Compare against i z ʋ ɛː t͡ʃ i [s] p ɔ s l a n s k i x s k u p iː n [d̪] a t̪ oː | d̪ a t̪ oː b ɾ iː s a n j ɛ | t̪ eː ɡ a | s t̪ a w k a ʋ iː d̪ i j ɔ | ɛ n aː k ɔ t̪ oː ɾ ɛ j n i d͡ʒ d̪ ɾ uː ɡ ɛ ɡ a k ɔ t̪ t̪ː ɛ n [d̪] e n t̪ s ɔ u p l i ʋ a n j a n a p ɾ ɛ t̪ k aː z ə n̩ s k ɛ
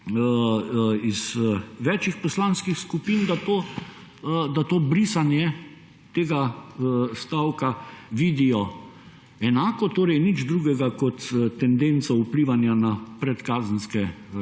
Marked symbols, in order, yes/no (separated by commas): no, yes, yes